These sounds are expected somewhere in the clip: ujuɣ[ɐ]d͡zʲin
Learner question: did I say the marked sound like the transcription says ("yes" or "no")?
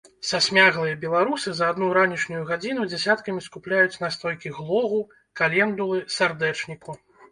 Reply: no